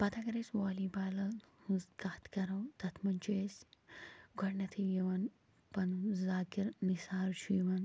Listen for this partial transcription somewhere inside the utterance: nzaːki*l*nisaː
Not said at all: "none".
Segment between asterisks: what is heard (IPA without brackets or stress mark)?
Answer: ɾ